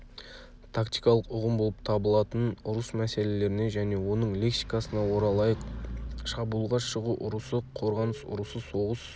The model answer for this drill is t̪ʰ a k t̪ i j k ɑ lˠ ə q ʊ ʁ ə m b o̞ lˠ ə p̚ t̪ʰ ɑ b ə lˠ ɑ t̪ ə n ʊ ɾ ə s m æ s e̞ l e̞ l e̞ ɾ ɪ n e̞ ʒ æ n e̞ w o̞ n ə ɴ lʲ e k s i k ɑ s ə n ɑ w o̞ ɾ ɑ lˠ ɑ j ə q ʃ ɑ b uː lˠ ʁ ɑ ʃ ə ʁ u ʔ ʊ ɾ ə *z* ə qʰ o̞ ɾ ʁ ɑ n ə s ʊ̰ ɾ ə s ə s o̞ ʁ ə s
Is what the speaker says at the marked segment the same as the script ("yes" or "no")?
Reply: no